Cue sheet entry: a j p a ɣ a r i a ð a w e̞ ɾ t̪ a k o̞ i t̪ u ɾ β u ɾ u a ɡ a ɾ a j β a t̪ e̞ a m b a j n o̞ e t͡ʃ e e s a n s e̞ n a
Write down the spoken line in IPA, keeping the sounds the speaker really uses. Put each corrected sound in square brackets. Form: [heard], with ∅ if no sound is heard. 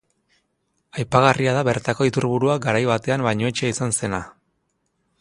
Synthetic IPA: a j p a ɣ a r i a ð a [β] e̞ ɾ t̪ a k o̞ i t̪ u ɾ β u ɾ u a ɡ a ɾ a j β a t̪ e̞ a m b a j [ɲ] o̞ e t͡ʃ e [i] s a n s e̞ n a